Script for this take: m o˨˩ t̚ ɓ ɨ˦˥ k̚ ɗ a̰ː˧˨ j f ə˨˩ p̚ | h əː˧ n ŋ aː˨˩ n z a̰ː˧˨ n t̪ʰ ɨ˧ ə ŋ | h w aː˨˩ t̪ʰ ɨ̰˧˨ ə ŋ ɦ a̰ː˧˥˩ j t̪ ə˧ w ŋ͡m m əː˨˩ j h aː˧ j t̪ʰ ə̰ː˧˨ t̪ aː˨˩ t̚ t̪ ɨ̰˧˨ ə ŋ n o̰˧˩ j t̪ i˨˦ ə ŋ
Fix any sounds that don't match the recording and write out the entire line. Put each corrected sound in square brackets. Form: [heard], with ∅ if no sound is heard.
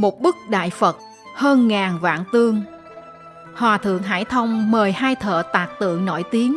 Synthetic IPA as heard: m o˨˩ t̚ ɓ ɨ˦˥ k̚ ɗ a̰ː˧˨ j f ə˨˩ [t̚] | h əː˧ n ŋ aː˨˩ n [v] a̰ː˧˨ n [t̪] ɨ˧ ə ŋ | h w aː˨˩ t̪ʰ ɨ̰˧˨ ə ŋ ɦ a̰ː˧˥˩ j [t̪ʰ] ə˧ w ŋ͡m m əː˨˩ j h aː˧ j t̪ʰ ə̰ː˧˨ t̪ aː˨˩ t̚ t̪ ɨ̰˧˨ ə ŋ n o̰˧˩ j t̪ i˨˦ ə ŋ